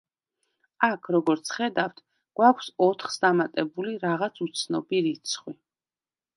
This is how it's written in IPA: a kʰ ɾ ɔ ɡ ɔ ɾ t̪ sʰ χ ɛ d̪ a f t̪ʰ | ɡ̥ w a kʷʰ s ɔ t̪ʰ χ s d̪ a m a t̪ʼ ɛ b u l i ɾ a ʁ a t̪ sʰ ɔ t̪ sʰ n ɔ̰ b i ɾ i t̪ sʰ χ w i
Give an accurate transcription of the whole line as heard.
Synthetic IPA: a kʰ ɾ ɔ ɡ ɔ ɾ t̪ sʰ χ ɛ d̪ a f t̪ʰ | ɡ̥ w a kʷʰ s ɔ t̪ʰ χ s d̪ a m a t̪ʼ ɛ b u l i ɾ a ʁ a t̪ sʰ u t̪ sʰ n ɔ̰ b i ɾ i t̪ sʰ χ w i